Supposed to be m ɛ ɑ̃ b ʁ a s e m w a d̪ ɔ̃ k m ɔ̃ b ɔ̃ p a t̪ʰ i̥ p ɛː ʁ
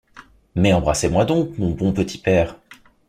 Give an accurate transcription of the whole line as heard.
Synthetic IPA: m ɛ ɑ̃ b ʁ a s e m w a d̪ ɔ̃ k m ɔ̃ b ɔ̃ p ə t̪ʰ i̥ p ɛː ʁ